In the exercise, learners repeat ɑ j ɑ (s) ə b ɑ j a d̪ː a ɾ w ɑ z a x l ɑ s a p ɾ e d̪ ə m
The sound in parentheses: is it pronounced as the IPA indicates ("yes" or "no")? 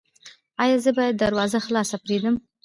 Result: no